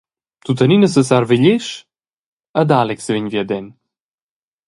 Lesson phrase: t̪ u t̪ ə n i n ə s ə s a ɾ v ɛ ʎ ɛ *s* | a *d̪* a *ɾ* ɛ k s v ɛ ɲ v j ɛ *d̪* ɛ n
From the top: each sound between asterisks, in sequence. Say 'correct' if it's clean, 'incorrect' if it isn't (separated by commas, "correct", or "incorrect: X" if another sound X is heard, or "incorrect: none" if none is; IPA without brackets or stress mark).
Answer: incorrect: ʃ, correct, incorrect: l, correct